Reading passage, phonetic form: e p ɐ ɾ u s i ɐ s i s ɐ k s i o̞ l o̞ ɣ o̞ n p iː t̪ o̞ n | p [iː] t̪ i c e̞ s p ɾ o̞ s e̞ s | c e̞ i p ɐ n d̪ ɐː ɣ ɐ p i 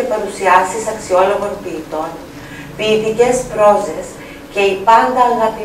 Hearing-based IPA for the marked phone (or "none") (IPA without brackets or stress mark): iː